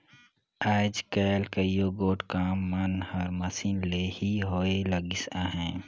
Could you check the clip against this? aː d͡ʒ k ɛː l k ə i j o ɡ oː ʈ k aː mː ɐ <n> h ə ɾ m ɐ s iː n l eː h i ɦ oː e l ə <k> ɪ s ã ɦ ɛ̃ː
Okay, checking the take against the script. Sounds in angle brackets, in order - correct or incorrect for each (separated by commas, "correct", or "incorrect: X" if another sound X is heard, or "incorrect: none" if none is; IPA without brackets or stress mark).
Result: correct, incorrect: ɡ